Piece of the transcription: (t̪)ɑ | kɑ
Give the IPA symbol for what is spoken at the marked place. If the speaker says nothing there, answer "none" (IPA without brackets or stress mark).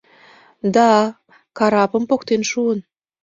d̪